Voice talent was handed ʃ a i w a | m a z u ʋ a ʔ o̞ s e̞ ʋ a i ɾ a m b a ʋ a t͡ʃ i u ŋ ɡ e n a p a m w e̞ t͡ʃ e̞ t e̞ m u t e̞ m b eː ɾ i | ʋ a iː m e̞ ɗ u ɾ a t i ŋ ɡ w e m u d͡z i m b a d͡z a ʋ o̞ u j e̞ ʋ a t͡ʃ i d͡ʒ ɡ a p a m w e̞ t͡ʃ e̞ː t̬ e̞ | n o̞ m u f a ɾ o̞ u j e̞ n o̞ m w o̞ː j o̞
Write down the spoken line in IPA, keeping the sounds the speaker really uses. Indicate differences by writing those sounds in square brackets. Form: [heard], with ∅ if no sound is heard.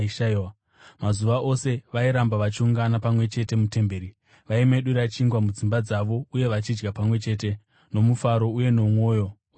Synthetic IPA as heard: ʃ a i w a | m a z u ʋ a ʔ o̞ s e̞ ʋ a i ɾ a m b a ʋ a t͡ʃ i u ŋ ɡ [a] n a p a m w e̞ t͡ʃ e̞ t e̞ m u t e̞ m b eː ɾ i | ʋ a [i] m e̞ ɗ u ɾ a [t͡ʃ] i ŋ ɡ w [a] m u d͡z i m b a d͡z a ʋ o̞ u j e̞ ʋ a t͡ʃ i d͡ʒ ɡ a p a m w e̞ t͡ʃ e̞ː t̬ e̞ | n o̞ m u f a ɾ o̞ u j e̞ n o̞ m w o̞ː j o̞